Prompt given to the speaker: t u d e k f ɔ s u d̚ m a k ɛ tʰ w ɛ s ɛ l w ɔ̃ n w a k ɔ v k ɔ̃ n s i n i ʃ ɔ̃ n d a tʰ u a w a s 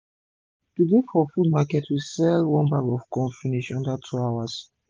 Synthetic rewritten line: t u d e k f ɔ f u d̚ m a k ɛ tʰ w i s ɛ l w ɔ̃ n b a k ɔ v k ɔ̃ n f i n i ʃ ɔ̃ n d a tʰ u a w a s